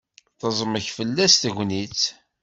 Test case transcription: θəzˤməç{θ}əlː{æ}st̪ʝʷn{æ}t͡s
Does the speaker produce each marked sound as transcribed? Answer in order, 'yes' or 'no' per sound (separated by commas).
no, yes, no